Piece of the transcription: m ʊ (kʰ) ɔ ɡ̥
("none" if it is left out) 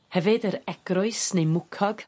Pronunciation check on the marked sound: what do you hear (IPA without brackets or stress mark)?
kʰ